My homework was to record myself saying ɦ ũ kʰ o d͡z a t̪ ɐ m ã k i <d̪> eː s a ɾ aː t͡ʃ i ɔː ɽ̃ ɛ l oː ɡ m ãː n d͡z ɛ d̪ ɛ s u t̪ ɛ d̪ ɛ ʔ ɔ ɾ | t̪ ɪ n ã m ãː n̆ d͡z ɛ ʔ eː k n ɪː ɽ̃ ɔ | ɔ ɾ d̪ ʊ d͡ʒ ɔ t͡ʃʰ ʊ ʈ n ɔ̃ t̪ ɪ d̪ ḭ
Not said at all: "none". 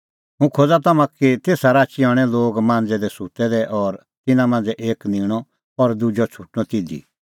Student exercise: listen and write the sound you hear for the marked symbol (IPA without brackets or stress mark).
t̪